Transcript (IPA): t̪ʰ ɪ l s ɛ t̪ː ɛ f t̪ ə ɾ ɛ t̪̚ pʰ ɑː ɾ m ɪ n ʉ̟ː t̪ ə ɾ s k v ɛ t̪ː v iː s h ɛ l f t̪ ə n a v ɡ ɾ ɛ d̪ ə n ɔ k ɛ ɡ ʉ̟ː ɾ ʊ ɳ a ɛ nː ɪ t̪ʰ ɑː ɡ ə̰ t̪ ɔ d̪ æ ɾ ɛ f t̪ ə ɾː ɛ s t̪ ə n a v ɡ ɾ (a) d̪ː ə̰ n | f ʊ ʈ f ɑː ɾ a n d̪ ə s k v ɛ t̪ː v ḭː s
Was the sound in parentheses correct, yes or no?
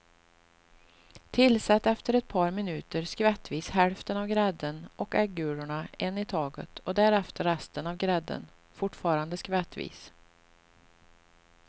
no